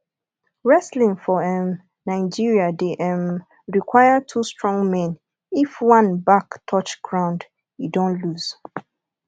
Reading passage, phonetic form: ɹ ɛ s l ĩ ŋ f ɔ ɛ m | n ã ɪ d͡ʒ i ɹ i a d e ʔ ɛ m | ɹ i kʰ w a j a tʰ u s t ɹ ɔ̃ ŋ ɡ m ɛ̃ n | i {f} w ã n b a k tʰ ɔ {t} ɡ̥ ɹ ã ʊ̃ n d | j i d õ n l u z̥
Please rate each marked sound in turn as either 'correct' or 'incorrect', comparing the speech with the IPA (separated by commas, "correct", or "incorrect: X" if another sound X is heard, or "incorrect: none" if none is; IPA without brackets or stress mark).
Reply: correct, incorrect: t͡ʃ